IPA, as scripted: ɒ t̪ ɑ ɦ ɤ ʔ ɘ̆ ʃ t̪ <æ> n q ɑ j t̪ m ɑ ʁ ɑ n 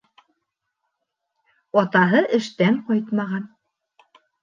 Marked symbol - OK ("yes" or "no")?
yes